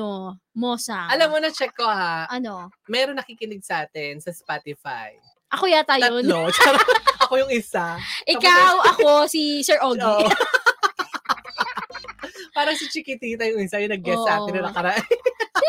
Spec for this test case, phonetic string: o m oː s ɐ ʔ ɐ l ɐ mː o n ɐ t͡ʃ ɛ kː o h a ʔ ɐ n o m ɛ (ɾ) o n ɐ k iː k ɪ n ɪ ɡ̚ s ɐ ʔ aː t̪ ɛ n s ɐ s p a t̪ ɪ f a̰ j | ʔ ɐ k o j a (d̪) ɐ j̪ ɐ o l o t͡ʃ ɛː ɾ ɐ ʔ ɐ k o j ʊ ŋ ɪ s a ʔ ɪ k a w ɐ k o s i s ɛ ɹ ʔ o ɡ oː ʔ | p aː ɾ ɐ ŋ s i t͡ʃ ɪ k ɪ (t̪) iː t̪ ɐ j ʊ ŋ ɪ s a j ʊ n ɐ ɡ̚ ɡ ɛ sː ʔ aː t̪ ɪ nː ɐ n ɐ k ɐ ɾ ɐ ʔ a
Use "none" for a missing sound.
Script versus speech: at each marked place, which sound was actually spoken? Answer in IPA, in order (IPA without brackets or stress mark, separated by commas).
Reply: ɾ, t̪, t̪